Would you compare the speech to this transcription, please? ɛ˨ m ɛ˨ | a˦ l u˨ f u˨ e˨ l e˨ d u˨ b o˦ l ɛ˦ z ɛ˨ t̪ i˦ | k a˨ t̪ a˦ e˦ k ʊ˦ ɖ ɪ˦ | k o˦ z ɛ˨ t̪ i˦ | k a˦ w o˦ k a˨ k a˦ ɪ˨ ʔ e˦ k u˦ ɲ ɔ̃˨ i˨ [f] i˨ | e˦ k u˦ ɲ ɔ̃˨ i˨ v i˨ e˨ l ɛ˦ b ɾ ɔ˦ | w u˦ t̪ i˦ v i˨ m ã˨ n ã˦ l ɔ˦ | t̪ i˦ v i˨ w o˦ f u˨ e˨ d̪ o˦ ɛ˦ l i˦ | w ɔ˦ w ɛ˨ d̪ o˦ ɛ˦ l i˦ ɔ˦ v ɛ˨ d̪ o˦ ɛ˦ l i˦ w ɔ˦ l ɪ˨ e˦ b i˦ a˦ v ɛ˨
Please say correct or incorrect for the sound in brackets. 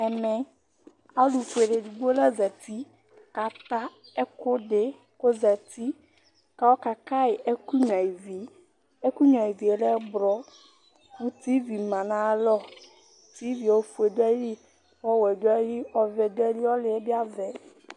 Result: incorrect